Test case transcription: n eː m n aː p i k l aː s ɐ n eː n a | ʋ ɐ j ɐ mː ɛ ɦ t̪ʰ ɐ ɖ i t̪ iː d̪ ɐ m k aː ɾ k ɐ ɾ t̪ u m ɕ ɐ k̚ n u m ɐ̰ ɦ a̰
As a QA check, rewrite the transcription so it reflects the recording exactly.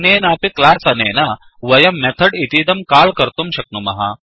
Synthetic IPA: n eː n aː p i k l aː s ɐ n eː n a | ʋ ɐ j ɐ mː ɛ t̪ʰ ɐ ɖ i t̪ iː d̪ ɐ m k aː l k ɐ ɾ t̪ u m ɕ ɐ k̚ n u m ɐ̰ ɦ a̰